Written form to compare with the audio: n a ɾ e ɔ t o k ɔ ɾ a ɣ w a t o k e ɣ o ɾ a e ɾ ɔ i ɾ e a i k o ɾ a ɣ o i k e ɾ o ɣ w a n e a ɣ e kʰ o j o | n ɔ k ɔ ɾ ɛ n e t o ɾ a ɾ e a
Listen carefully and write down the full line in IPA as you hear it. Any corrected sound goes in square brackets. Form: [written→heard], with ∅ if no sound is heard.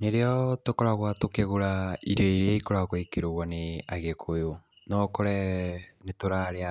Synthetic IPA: n [a→e] ɾ e ɔ t o k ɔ ɾ a ɣ w a t o k e ɣ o ɾ a [e→i] ɾ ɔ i ɾ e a i k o ɾ a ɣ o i k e ɾ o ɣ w a n e a ɣ e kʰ o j o | n ɔ k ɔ ɾ ɛ n e t o ɾ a ɾ e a